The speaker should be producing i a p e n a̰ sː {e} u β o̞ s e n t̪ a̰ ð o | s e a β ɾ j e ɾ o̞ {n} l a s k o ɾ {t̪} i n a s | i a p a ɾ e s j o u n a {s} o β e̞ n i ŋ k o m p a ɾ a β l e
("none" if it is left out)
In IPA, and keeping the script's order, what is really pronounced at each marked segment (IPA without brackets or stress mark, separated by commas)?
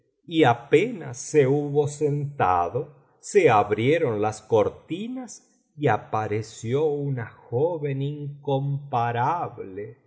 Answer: e, n, t̪, x